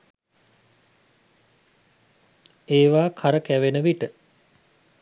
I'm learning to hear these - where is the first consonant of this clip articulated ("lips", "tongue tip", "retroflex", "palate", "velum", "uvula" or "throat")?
lips